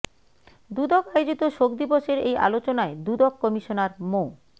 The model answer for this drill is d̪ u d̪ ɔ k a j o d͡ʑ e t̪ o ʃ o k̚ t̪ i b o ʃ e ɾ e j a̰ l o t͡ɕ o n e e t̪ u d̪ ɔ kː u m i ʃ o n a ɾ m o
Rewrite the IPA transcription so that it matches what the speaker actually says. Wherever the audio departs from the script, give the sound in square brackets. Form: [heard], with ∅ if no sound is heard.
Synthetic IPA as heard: d̪ u d̪ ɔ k a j o d͡ʑ [i] t̪ o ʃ o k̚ [d̪] i b o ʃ e ɾ e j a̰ l o t͡ɕ o n [a] e [d̪] u d̪ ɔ kː [ɔ] m i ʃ o n a ɾ m o